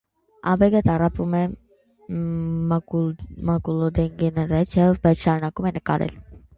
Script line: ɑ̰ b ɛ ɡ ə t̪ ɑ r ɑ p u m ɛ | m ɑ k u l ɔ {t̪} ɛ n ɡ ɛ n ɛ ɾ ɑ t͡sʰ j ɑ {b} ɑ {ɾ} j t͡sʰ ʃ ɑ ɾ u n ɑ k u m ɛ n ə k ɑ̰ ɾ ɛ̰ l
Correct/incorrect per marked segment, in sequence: incorrect: d̪, correct, incorrect: none

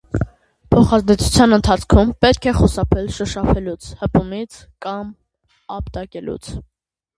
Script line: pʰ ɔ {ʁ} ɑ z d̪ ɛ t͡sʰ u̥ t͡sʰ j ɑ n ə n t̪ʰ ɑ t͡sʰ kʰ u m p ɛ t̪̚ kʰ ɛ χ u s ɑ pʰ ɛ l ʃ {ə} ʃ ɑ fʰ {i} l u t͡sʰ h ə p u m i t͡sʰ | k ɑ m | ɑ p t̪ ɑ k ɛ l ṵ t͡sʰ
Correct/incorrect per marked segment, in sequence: incorrect: χ, correct, incorrect: ɛ

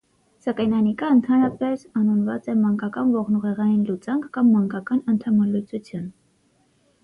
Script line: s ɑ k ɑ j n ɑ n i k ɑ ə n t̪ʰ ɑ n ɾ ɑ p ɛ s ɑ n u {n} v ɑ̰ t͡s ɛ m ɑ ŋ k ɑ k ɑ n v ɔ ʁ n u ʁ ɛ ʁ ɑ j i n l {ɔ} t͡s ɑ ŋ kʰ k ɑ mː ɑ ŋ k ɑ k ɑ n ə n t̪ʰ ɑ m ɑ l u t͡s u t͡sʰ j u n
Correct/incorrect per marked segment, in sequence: correct, incorrect: u

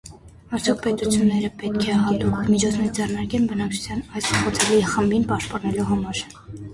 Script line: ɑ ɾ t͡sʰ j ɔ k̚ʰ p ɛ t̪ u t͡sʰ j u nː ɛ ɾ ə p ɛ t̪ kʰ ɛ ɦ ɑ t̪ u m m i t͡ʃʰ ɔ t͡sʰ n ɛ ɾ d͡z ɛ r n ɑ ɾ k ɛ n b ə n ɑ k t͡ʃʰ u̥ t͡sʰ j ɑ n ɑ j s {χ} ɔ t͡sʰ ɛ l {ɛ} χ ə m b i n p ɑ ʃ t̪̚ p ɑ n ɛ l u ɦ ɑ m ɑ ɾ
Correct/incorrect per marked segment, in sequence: correct, incorrect: i

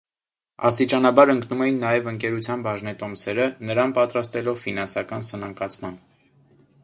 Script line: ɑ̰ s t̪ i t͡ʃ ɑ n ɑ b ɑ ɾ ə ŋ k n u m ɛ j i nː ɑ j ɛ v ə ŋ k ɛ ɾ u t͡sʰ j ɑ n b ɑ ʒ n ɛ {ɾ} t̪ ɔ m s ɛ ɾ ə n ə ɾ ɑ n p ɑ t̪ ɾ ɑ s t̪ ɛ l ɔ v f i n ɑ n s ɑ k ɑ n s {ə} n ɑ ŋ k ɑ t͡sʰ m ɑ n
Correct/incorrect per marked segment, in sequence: incorrect: none, correct

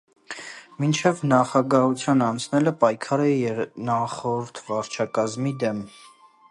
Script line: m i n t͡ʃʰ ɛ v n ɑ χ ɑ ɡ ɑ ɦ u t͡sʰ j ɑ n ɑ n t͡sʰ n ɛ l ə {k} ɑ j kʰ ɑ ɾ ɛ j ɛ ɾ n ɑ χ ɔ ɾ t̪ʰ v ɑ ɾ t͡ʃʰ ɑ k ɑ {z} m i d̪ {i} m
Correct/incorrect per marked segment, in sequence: incorrect: p, correct, incorrect: ɛ

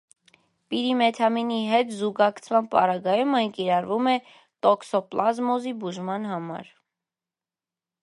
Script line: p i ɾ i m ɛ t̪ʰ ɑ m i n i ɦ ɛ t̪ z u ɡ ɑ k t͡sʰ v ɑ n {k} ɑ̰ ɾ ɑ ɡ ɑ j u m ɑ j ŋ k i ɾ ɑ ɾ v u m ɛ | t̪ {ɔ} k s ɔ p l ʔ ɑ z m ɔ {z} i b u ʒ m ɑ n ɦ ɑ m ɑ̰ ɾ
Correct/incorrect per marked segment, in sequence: incorrect: p, correct, correct

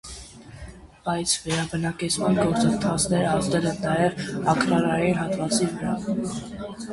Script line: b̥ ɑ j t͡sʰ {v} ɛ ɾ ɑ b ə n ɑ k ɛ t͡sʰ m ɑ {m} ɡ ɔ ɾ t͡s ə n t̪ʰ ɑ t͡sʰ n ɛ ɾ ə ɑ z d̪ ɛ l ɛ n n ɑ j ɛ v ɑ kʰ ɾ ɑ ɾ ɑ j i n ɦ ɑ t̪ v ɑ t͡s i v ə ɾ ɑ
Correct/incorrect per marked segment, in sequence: correct, incorrect: n

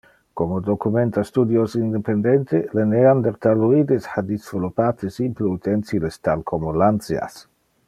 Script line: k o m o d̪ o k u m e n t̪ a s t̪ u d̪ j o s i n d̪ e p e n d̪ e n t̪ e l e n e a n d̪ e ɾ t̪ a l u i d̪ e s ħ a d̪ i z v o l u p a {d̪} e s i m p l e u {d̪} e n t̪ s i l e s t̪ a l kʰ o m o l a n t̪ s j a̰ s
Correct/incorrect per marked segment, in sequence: incorrect: t̪, incorrect: t̪

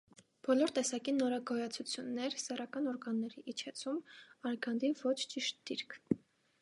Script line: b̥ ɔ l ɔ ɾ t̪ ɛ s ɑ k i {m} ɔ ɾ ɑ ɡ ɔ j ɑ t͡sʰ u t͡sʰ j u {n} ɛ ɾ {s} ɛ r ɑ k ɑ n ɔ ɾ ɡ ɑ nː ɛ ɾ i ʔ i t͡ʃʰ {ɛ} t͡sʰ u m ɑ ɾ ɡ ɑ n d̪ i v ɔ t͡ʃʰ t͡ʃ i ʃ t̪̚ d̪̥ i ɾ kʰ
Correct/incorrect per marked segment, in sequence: incorrect: n, incorrect: nː, correct, correct

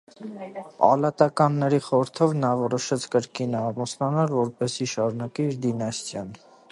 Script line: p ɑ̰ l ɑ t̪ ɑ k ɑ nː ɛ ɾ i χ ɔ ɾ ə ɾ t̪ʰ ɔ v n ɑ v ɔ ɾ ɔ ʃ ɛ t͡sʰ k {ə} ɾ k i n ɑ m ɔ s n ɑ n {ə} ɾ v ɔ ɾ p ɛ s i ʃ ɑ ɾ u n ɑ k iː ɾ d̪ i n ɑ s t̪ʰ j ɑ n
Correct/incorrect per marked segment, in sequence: correct, incorrect: ɑ

